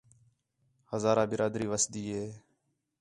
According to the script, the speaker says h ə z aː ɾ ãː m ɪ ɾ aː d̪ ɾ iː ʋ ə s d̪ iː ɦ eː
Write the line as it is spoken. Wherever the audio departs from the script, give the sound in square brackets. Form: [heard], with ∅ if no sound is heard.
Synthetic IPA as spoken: h ə z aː ɾ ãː [b] ɪ ɾ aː d̪ ɾ iː ʋ ə s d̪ iː ɦ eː